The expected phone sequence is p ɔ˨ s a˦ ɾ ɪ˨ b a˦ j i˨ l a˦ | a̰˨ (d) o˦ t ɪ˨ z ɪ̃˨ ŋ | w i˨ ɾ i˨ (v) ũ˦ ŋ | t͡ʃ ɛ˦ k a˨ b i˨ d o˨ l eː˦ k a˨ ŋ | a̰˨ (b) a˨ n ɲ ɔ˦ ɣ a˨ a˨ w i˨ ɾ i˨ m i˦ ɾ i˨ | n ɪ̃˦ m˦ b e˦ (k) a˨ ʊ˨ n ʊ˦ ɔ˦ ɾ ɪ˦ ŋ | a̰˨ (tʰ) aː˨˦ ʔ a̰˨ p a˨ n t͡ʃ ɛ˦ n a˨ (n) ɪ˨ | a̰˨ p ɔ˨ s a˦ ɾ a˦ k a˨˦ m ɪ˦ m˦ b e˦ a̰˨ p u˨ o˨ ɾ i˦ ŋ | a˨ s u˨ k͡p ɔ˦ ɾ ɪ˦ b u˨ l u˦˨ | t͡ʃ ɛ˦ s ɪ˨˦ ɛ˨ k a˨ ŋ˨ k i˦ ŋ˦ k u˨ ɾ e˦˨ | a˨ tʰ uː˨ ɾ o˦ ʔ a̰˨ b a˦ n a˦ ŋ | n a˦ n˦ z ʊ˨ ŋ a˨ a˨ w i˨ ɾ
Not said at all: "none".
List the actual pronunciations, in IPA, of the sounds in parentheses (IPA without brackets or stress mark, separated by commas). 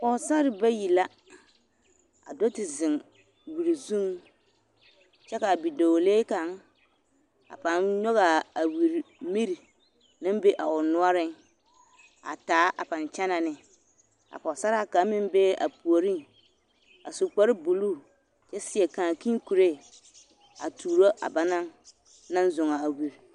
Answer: d, z, p, ʔ, t, n